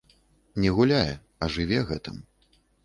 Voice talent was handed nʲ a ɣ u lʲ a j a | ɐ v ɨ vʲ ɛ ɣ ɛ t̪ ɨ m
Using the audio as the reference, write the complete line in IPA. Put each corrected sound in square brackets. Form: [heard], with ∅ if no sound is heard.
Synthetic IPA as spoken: nʲ [ɛ] ɣ u lʲ a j [ɛ] | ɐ [ʐ] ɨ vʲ ɛ ɣ ɛ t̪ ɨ m